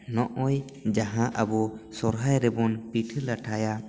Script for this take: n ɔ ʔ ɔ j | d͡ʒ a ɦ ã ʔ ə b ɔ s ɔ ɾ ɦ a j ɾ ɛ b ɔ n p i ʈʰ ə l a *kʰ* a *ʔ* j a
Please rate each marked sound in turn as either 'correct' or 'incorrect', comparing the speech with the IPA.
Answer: incorrect, incorrect

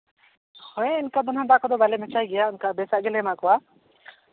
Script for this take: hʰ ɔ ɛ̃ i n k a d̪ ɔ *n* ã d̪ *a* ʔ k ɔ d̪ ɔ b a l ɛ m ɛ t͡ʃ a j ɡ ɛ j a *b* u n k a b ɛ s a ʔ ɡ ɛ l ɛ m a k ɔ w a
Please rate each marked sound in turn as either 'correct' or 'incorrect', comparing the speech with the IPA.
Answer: correct, correct, incorrect

